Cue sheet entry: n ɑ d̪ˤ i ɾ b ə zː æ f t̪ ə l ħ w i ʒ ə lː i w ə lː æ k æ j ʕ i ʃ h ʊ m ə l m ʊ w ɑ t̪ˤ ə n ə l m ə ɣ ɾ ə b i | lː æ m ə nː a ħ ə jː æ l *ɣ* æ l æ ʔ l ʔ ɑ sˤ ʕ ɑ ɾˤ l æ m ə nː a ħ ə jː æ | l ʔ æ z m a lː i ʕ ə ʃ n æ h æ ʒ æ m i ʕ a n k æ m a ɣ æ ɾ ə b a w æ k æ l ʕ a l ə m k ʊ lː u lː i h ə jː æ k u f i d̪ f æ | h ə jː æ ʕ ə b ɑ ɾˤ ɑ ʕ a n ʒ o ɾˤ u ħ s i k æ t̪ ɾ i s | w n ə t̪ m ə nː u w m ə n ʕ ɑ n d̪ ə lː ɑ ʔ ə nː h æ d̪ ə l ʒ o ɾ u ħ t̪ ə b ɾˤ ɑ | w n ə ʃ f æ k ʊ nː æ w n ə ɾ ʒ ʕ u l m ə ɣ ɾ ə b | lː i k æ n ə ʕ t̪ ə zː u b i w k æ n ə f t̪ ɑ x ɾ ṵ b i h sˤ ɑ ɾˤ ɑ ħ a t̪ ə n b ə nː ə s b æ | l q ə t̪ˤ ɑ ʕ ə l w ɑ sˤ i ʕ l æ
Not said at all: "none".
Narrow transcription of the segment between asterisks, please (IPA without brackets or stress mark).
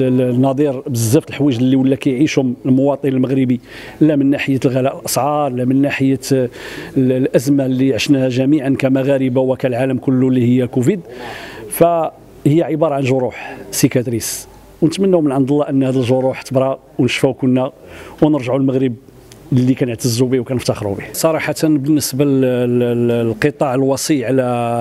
ɣ